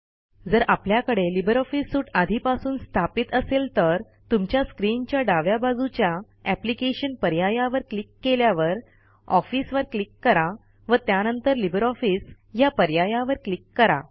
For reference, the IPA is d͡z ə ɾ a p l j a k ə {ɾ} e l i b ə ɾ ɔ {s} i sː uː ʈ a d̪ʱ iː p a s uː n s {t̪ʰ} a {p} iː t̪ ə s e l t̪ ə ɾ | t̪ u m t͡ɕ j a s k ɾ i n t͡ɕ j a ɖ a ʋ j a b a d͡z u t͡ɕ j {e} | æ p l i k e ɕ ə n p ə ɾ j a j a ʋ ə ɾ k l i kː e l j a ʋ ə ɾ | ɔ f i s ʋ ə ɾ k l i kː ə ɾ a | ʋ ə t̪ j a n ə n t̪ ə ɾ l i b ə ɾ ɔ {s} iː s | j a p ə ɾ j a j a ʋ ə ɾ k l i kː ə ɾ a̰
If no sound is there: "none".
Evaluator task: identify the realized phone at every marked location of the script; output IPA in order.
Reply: ɽ, f, t̪ʰ, p, a, f

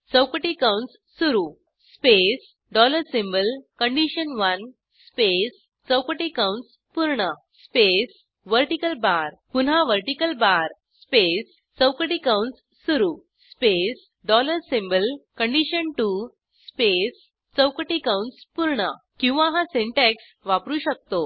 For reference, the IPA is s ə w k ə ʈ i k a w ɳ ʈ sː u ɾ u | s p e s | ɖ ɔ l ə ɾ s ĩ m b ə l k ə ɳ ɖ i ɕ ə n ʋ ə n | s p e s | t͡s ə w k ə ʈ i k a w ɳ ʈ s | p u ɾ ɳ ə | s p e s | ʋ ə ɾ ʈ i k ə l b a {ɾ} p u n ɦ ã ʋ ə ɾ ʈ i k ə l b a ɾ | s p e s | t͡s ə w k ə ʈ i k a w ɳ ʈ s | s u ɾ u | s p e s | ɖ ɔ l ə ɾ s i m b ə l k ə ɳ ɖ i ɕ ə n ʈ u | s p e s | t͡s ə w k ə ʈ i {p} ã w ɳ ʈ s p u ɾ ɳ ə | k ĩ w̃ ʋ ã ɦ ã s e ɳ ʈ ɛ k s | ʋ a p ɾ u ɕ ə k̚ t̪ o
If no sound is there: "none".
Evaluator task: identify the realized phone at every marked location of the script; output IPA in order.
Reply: ɾ, k

